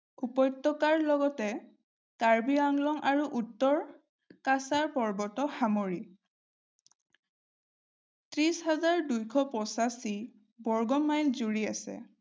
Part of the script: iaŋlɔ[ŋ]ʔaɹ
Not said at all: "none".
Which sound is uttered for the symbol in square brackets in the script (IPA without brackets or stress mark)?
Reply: ŋ